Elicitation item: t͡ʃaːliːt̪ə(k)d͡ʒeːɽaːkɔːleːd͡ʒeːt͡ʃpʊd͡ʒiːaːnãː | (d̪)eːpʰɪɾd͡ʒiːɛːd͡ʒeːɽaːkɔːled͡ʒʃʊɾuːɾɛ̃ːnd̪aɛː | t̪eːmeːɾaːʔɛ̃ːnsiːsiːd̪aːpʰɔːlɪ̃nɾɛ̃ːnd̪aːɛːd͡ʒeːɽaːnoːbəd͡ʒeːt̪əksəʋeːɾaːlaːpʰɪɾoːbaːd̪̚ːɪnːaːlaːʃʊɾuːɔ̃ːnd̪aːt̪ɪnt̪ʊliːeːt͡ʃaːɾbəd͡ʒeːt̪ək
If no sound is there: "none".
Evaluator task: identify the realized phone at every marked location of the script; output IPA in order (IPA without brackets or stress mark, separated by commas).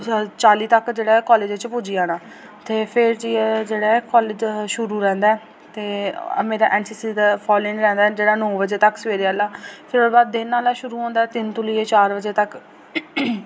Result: k, t̪